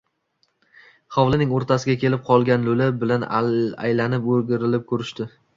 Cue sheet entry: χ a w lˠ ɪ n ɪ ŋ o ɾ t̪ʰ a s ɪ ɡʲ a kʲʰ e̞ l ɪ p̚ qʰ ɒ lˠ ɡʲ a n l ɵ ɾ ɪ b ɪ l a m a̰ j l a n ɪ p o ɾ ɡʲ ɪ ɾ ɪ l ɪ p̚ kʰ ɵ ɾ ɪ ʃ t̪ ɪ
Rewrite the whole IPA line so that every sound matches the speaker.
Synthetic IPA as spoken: χ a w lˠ ɪ n ɪ ŋ o ɾ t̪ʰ a s ɪ ɡʲ a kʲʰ e̞ l ɪ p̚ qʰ ɒ lˠ ɡʲ a n l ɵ l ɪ b ɪ l a n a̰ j l a n ɪ p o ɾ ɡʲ ɪ ɾ ɪ l ɪ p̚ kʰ ɵ ɾ ɪ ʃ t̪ ɪ

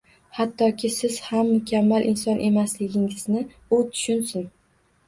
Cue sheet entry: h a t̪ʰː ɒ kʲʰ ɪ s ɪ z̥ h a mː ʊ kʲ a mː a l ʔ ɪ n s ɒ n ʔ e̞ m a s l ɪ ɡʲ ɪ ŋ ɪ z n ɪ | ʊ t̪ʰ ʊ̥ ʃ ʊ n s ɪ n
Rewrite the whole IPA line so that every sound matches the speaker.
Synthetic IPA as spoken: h a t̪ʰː ɒ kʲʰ ɪ s ɪ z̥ h a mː ʊ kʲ a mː a l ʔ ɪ n s ɒ n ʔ e̞ m a s l ɪ ɡʲ ɪ ŋ ɪ z n ɪ | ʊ t̪ʰ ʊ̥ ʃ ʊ n s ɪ n

